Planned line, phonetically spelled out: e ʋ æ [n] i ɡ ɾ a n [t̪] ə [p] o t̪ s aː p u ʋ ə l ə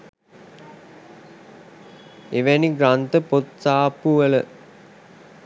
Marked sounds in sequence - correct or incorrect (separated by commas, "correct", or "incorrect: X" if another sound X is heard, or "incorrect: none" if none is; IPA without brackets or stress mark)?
correct, correct, correct